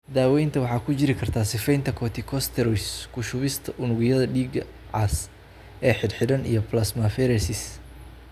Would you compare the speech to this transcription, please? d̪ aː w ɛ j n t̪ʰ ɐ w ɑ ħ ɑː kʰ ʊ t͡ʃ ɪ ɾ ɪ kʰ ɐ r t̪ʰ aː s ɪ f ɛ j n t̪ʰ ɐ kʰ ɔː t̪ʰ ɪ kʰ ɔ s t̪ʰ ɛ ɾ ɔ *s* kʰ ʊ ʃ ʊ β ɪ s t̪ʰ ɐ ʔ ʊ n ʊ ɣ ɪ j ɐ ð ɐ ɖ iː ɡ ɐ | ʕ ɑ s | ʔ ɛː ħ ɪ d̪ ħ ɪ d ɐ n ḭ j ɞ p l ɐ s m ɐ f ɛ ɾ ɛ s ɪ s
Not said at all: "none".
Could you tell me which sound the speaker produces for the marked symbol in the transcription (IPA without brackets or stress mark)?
s